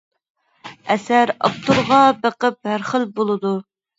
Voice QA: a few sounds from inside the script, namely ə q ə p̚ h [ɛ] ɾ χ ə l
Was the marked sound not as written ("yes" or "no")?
yes